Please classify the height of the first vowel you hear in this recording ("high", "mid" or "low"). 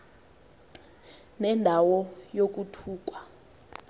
mid